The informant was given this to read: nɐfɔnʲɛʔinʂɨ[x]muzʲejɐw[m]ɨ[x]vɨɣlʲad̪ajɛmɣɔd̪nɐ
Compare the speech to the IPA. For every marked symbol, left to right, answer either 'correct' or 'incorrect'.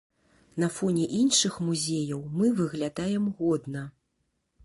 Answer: correct, correct, incorrect: none

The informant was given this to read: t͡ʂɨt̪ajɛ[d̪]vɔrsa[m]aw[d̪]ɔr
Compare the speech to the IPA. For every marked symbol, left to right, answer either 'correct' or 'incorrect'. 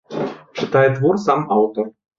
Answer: correct, correct, incorrect: t̪

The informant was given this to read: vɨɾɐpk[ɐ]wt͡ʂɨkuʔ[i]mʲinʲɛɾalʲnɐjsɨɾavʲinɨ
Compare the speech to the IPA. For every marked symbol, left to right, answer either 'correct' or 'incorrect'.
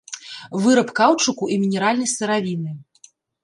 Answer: incorrect: a, correct

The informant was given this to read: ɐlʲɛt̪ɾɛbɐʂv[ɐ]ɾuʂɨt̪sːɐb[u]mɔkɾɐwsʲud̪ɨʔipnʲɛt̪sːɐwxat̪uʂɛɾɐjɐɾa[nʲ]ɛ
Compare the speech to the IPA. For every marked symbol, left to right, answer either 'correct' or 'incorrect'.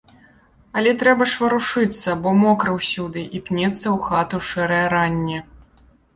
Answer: correct, incorrect: ɔ, incorrect: nʲː

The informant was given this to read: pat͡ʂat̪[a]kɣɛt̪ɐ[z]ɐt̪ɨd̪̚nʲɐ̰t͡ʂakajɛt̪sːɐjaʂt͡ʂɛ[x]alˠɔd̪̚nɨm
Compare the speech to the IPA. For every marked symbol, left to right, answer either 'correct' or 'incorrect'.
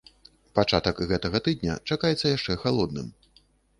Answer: incorrect: ɐ, incorrect: ɣ, correct

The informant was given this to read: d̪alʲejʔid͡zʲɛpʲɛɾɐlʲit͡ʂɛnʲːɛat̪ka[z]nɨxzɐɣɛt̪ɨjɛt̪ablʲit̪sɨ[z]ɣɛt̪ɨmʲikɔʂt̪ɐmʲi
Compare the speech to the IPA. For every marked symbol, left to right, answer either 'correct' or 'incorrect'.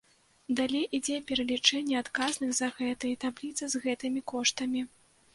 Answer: correct, correct

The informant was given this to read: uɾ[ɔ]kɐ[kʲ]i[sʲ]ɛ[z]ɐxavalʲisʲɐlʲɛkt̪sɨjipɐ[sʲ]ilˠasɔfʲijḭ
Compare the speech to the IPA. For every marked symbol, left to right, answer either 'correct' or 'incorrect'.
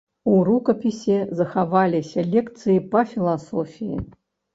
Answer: incorrect: u, incorrect: pʲ, correct, correct, incorrect: fʲ

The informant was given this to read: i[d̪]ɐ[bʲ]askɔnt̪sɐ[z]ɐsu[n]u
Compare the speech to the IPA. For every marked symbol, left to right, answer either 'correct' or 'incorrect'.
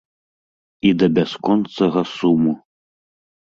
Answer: correct, correct, incorrect: ɣ, incorrect: m

